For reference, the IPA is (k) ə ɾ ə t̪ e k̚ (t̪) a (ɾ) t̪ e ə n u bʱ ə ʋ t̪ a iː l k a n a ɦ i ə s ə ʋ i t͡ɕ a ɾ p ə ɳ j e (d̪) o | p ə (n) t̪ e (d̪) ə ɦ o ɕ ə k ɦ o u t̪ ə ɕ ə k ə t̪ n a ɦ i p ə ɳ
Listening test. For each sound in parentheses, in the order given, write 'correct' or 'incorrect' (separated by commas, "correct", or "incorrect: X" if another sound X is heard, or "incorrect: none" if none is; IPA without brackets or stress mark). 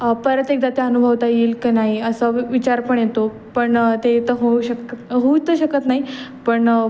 incorrect: p, incorrect: d̪, incorrect: none, incorrect: t̪, incorrect: ɳ, incorrect: t̪